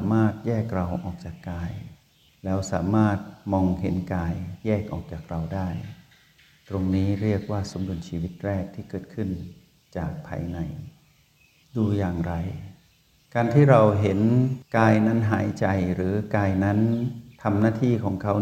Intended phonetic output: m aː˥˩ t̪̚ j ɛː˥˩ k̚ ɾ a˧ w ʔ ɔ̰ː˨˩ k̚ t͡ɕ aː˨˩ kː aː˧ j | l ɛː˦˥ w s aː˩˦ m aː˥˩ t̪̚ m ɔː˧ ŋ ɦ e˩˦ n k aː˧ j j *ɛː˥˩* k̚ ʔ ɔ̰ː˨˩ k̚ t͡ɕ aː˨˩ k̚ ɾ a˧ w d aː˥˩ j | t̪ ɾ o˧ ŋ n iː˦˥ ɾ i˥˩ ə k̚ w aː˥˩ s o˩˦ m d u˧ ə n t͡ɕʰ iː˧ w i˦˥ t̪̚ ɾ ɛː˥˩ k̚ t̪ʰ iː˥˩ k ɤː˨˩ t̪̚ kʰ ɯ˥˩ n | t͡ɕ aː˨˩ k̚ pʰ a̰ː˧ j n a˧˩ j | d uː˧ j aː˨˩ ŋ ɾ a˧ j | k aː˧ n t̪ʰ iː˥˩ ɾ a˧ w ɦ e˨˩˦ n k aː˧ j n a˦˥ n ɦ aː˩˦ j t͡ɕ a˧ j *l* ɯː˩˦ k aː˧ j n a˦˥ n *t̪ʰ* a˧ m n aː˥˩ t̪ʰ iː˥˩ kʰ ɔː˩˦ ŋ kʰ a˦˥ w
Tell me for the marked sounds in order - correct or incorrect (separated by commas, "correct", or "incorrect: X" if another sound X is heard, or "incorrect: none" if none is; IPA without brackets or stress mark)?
correct, incorrect: ɾ, correct